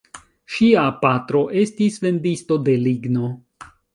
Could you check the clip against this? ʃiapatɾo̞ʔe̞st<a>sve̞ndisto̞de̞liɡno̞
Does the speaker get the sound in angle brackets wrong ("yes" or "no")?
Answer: yes